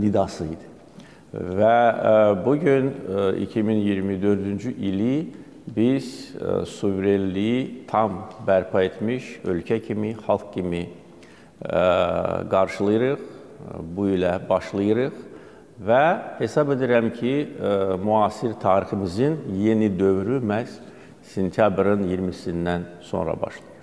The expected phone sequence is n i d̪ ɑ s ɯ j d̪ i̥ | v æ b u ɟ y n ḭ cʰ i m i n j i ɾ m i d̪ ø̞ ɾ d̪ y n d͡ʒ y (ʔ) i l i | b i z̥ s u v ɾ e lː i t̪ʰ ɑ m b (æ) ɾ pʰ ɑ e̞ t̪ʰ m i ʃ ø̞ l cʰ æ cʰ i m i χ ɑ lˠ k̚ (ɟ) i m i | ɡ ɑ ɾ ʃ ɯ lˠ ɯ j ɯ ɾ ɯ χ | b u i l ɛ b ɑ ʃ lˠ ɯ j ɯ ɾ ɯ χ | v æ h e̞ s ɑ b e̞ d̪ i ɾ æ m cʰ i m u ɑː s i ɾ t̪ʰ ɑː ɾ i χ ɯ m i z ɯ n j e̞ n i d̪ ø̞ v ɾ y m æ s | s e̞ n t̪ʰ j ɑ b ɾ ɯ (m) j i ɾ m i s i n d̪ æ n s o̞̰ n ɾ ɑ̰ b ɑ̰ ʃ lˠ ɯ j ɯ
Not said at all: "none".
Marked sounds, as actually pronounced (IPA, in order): ʔ, æ, c, n

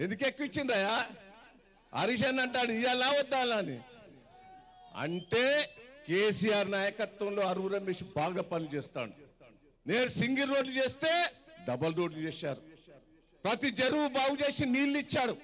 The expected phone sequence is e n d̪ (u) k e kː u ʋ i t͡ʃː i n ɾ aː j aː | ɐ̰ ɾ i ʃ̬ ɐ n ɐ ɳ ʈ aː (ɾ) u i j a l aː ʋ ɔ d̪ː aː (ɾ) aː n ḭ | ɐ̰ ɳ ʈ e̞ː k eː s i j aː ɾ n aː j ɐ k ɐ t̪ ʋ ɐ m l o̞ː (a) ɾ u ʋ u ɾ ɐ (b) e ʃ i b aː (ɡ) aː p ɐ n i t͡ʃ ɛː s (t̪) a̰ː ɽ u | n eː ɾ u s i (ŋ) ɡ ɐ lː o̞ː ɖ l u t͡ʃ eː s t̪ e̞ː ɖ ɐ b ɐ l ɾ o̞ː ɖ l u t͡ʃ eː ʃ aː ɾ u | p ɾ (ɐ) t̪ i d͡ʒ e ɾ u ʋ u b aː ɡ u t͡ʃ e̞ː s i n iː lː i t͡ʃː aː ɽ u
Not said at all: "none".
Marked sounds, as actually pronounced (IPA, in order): u, ɽ, l, ɐ, m, ɡ, t̪, ŋ, ɐ

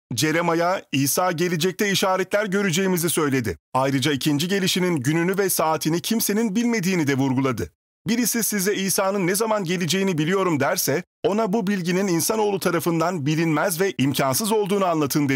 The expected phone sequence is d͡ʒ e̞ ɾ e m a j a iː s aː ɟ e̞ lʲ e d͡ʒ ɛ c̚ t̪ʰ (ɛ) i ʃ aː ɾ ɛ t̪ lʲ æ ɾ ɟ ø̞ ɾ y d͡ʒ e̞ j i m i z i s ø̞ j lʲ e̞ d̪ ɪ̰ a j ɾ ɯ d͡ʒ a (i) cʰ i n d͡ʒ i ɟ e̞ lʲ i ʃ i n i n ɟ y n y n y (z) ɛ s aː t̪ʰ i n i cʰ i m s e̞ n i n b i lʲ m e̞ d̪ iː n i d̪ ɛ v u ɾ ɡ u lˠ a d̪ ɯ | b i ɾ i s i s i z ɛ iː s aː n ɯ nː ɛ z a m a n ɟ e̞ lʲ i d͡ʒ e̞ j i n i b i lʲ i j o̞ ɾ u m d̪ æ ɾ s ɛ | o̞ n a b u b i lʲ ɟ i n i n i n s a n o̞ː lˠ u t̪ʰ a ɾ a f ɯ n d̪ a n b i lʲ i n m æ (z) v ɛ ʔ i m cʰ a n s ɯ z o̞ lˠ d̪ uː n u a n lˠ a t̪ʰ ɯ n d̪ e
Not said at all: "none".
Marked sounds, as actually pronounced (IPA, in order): ɛ, i, v, z

